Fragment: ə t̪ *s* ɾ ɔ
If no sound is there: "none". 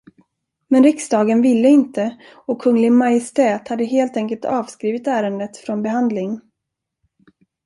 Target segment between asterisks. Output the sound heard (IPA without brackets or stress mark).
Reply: f